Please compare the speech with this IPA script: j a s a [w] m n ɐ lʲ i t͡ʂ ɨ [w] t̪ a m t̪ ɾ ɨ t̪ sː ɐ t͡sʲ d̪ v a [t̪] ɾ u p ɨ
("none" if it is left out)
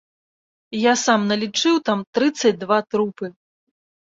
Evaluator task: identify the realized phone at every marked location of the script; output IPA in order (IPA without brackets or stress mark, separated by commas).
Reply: none, w, t̪